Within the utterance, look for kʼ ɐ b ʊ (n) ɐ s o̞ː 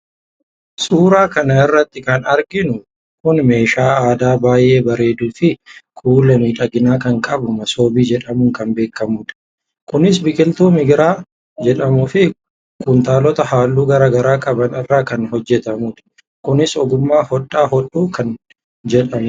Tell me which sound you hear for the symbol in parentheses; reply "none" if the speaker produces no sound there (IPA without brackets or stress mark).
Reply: m